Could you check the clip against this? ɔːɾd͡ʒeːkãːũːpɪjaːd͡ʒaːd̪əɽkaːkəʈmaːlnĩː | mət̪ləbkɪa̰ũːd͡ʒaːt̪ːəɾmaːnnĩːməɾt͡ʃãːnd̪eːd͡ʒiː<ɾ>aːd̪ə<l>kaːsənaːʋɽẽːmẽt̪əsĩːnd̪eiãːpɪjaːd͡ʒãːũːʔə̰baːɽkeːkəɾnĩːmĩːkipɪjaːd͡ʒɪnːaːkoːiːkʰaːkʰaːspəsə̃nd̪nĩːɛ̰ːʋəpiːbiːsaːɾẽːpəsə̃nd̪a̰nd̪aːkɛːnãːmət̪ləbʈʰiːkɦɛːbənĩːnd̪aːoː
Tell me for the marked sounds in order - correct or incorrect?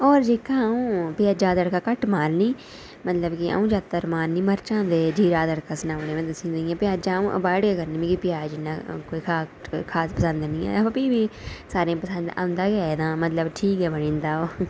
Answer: correct, incorrect

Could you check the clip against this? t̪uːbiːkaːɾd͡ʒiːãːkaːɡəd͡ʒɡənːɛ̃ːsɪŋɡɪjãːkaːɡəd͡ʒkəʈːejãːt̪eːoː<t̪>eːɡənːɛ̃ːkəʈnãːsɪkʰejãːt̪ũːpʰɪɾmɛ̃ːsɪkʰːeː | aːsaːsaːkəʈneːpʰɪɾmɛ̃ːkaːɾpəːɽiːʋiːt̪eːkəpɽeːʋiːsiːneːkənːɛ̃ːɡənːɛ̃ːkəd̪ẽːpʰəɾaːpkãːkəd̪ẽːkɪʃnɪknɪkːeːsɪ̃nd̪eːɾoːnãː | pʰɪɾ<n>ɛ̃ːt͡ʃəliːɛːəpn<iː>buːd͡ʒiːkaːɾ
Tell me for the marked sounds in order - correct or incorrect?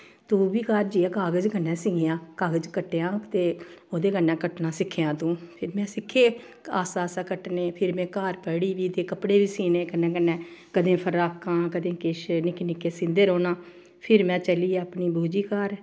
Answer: incorrect, incorrect, correct

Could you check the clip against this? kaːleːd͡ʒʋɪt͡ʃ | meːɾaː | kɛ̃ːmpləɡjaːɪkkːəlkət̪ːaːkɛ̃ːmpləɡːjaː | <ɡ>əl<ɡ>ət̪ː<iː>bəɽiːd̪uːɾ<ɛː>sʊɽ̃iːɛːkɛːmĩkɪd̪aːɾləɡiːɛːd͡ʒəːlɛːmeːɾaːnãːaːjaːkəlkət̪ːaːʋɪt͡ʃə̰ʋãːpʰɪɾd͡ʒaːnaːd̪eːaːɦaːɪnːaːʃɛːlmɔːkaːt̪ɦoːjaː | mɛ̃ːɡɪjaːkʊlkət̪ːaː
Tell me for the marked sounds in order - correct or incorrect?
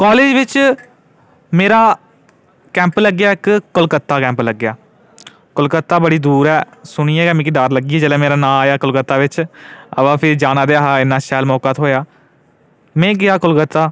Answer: incorrect, incorrect, incorrect, correct

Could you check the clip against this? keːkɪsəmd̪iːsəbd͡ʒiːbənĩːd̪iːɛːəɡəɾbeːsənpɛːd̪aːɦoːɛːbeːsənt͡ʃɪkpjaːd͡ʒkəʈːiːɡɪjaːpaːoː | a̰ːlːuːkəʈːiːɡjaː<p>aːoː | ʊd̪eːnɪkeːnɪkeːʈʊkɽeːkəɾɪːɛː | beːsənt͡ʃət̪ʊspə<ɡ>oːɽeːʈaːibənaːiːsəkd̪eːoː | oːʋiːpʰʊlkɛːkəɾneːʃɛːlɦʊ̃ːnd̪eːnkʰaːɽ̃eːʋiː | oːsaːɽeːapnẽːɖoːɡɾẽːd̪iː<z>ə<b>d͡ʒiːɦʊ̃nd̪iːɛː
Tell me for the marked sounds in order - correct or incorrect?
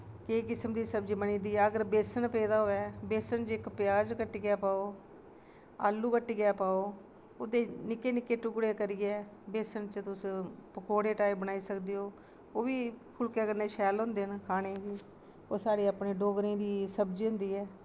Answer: correct, incorrect, incorrect, correct

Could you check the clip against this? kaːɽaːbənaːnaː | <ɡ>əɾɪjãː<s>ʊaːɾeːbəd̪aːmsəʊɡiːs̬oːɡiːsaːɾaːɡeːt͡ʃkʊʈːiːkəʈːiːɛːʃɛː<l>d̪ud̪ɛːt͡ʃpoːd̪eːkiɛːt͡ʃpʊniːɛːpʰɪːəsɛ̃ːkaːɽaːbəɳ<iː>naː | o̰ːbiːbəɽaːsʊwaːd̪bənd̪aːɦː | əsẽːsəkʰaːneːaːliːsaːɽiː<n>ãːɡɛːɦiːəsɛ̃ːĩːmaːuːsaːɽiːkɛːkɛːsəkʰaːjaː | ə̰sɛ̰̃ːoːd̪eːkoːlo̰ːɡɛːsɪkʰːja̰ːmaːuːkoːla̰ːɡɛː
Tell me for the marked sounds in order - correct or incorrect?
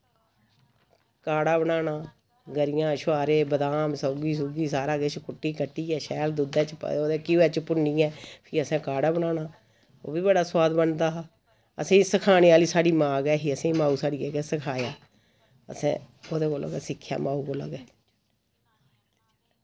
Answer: correct, incorrect, correct, incorrect, incorrect

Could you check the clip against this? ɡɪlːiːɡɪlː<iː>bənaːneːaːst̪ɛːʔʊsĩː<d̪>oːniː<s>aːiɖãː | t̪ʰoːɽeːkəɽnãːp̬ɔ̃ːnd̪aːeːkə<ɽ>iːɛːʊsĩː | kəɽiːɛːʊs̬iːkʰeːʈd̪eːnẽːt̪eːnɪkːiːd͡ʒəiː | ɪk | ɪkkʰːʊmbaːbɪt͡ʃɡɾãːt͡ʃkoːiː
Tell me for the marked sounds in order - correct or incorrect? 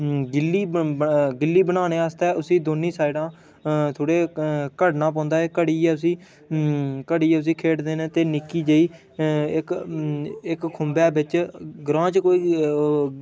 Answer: correct, correct, correct, correct

